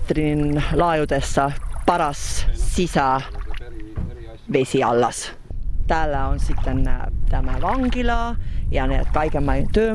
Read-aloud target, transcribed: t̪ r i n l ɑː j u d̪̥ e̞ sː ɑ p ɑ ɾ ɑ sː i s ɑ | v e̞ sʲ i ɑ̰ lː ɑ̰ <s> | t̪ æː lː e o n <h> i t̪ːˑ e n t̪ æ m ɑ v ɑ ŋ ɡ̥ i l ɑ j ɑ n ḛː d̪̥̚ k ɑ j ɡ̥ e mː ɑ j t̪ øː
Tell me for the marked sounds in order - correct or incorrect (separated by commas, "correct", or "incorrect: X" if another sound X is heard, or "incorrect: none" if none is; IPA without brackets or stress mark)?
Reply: correct, incorrect: s